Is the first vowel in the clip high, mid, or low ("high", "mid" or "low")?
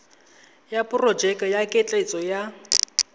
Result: low